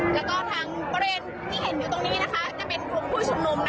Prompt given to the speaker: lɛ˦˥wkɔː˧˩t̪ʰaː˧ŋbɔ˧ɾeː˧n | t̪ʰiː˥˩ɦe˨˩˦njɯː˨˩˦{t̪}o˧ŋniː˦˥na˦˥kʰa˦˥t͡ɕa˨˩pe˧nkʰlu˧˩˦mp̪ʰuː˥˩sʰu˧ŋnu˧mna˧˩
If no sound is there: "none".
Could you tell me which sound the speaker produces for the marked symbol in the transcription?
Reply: t̪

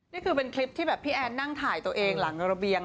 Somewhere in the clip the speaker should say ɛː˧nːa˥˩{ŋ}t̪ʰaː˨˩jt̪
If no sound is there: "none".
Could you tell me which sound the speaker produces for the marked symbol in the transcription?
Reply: ŋ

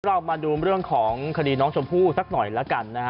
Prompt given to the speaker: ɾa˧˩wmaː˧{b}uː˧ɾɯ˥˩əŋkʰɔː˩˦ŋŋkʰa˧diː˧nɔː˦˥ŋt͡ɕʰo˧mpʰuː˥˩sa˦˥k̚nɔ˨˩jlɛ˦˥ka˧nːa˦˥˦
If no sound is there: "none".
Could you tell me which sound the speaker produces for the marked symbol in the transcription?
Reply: d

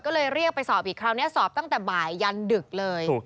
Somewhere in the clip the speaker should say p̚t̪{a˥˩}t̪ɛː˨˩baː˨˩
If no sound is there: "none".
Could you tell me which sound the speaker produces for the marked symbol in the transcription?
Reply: a˥˩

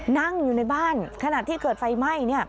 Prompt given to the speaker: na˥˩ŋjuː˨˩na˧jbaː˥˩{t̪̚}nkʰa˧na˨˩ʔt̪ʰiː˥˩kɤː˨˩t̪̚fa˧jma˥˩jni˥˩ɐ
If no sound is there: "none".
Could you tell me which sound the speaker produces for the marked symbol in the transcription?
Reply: none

